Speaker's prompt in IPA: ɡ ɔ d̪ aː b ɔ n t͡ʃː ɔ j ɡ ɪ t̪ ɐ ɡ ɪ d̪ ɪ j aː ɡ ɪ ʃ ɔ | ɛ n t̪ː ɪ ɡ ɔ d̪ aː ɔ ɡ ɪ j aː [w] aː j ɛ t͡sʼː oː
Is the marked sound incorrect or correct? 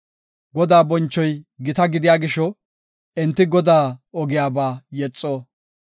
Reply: incorrect